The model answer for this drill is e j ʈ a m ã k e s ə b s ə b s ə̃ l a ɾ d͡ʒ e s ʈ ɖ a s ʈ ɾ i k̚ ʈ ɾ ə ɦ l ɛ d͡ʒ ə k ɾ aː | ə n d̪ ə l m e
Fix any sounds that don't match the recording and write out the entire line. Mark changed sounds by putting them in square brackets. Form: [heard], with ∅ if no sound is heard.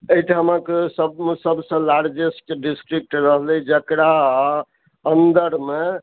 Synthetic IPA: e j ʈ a m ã k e s ə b s ə b s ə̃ l a ɾ d͡ʒ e s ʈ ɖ [i] s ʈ ɾ i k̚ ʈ ɾ ə ɦ l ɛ d͡ʒ ə k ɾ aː | ə n d̪ ə [ɾ] m e